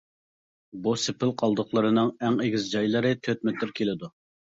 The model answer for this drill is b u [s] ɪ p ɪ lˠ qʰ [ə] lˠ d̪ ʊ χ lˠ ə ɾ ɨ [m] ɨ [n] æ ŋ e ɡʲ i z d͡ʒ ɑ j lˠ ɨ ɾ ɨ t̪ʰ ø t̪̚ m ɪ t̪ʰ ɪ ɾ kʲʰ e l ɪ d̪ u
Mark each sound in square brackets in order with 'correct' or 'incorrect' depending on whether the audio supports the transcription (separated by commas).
correct, incorrect, incorrect, incorrect